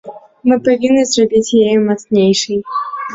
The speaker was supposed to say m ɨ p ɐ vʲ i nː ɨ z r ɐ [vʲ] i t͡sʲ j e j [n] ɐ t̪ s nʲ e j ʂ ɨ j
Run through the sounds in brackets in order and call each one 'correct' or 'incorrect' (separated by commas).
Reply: incorrect, incorrect